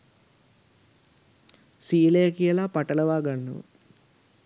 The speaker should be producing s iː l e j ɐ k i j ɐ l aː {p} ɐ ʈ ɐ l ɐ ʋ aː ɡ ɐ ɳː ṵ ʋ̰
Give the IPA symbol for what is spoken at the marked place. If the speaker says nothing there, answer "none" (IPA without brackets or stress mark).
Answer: p